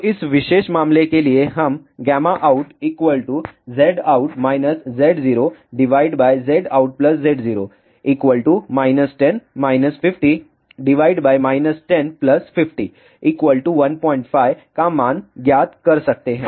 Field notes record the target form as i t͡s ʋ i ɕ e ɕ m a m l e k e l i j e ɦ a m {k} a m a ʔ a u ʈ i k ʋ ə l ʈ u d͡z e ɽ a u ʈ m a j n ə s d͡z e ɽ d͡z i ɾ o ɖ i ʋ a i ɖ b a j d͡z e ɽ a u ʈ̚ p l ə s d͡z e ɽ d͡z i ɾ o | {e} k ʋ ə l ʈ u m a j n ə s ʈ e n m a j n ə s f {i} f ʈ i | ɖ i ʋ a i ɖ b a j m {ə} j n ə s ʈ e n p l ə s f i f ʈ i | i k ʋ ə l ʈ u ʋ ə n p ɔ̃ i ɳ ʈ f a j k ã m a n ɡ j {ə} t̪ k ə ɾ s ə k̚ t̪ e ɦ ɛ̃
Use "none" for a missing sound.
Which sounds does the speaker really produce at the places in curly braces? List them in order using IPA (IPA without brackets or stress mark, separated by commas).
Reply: ɡ, i, i, a, a